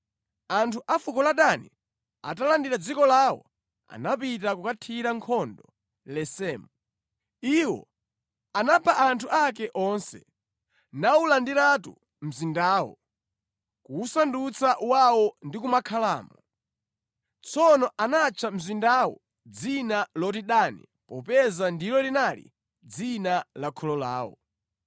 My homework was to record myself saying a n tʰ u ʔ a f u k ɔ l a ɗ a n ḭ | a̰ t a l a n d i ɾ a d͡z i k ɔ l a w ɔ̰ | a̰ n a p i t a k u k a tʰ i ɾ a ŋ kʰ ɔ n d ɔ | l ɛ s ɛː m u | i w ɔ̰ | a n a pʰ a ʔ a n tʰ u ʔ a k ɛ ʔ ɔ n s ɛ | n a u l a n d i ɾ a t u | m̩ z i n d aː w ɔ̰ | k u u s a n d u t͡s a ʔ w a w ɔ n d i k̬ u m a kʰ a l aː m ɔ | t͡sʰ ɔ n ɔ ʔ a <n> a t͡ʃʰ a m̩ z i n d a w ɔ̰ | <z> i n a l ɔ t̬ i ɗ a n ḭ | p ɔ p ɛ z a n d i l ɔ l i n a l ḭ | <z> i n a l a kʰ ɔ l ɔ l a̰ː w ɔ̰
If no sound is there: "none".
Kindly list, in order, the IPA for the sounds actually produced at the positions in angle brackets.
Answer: n, d͡z, d͡z

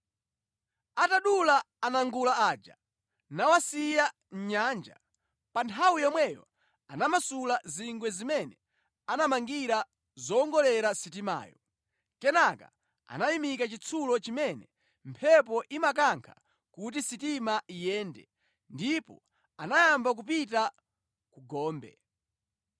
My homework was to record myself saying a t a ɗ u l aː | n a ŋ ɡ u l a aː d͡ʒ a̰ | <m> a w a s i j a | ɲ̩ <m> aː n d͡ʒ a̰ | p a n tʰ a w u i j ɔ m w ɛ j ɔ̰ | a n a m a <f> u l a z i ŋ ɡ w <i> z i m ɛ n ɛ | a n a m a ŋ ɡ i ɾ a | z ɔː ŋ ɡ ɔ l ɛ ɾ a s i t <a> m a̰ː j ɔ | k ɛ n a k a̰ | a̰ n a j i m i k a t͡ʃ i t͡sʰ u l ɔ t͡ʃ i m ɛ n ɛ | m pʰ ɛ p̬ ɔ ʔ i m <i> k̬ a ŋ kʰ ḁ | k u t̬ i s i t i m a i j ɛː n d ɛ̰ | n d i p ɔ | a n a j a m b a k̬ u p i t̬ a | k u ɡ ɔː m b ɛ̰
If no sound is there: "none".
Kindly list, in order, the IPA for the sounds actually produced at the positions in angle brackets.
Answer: n, ɲ, s, ɛ, i, a

